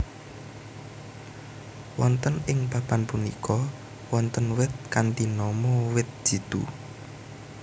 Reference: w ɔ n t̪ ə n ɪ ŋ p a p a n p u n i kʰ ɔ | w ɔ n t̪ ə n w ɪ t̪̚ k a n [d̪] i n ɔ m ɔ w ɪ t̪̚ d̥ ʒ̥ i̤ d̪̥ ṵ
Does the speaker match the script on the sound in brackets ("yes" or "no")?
no